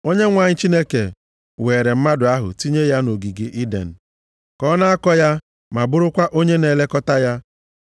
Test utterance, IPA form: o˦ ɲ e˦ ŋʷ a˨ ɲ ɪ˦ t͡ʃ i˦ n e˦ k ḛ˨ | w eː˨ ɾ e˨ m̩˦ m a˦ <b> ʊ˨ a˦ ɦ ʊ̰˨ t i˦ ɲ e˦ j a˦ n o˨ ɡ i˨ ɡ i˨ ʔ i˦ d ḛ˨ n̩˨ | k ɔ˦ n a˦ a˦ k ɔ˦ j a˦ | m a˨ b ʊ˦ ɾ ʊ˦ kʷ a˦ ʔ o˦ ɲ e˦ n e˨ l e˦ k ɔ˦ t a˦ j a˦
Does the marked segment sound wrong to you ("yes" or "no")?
yes